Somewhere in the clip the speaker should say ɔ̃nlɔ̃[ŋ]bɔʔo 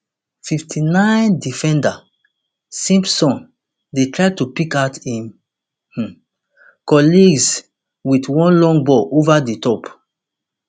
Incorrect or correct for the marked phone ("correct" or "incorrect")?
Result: correct